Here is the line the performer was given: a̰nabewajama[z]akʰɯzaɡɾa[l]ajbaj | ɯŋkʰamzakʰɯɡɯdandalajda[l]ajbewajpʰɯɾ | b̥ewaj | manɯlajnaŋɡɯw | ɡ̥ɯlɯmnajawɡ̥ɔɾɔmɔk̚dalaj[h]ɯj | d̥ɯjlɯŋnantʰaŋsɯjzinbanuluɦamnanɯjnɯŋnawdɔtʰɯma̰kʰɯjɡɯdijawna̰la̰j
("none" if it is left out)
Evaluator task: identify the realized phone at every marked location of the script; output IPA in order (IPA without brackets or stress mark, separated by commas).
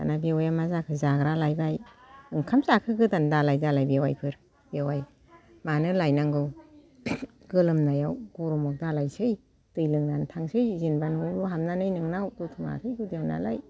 z, l, l, s